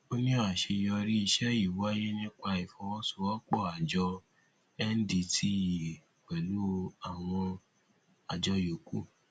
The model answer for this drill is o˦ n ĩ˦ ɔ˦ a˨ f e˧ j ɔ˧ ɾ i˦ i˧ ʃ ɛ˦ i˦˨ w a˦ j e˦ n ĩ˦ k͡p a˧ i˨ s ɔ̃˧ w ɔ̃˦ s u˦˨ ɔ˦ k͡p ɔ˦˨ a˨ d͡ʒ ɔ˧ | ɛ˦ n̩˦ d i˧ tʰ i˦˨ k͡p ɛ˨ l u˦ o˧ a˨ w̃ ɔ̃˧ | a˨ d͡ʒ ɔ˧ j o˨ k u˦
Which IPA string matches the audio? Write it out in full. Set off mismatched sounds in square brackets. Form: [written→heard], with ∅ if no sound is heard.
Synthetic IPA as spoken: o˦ n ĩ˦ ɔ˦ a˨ [f→ʃ] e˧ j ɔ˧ ɾ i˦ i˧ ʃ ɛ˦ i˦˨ w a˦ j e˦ n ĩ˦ k͡p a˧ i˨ [s→f] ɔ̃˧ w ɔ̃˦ s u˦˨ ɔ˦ k͡p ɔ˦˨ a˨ d͡ʒ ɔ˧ | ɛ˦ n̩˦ d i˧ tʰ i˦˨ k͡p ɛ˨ l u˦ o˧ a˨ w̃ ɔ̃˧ | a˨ d͡ʒ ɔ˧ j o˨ k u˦